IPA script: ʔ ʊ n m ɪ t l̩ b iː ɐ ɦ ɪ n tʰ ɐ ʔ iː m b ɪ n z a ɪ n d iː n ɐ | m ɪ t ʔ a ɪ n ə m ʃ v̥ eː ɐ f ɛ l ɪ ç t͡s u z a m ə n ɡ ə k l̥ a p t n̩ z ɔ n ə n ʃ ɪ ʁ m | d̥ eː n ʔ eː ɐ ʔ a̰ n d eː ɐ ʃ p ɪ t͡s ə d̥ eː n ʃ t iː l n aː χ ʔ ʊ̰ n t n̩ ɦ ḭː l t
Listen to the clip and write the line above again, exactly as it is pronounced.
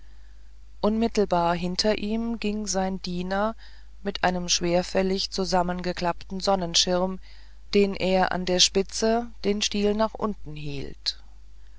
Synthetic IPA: ʔ ʊ n m ɪ t l̩ b aː ɐ ɦ ɪ n tʰ ɐ ʔ iː m ɡ ɪ ŋ z a ɪ n d iː n ɐ | m ɪ t ʔ a ɪ n ə m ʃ v̥ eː ɐ f ɛ l ɪ ç t͡s u z a m ə n ɡ ə k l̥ a p t n̩ z ɔ n ə n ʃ ɪ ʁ m | d̥ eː n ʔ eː ɐ ʔ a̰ n d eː ɐ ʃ p ɪ t͡s ə d̥ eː n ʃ t iː l n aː χ ʔ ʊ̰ n t n̩ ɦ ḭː l t